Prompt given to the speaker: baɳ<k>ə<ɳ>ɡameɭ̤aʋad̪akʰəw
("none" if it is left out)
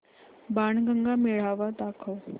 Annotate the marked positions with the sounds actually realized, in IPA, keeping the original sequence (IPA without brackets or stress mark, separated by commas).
ɡ, ŋ